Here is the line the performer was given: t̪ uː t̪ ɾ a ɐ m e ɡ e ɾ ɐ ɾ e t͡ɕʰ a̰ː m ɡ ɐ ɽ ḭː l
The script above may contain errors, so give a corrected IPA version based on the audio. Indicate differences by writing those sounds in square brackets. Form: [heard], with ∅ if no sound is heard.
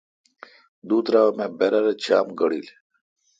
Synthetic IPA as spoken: [d̪] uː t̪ ɾ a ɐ m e [b] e ɾ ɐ ɾ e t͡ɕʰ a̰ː m ɡ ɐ ɽ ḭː l